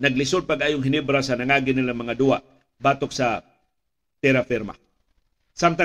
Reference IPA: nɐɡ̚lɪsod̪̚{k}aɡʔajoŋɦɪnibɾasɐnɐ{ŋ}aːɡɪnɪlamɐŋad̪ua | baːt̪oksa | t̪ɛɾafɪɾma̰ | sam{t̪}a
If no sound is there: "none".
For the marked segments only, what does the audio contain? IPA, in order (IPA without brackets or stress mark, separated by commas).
p, ŋ, t̪